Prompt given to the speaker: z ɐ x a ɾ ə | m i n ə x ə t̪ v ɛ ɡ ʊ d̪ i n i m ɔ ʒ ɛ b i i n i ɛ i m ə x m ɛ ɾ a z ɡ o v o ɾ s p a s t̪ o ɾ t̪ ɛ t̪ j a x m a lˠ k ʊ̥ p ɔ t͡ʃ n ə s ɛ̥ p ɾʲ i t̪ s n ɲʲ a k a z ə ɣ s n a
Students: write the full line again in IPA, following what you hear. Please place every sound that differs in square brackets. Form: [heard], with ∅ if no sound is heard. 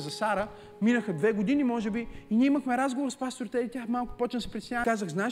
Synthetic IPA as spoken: z ɐ [s] a ɾ ə | m i n ə x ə [d̪] v ɛ ɡ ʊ d̪ i n i m ɔ ʒ ɛ b i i n i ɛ i m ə x m ɛ ɾ a z ɡ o v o ɾ s p a s t̪ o ɾ t̪ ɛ t̪ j a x m a lˠ k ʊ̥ p ɔ t͡ʃ n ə s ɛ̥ p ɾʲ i t̪ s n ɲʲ a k a z ə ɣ [z] n a